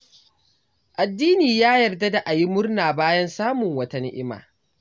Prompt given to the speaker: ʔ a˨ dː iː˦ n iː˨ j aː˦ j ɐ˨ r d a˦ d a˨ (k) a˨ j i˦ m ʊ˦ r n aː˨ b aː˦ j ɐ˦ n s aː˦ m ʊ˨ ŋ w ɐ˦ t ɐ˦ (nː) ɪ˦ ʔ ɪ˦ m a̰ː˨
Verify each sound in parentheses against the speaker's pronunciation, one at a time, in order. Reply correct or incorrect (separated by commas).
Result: incorrect, incorrect